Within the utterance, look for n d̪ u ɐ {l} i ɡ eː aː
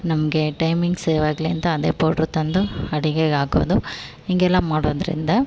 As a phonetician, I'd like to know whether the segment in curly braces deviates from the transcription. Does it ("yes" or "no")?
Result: yes